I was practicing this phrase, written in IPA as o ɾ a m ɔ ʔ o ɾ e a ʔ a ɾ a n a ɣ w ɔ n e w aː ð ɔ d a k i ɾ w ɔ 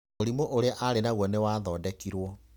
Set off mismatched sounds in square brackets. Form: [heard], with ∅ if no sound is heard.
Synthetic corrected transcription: o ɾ [i] m [o] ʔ o ɾ e a ʔ a ɾ [e] n a ɣ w ɔ n e w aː ð ɔ d [ɛ] k i ɾ w ɔ